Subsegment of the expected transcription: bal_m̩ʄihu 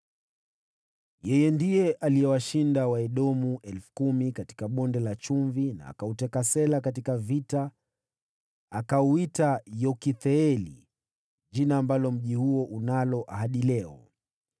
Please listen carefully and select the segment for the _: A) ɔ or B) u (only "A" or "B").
A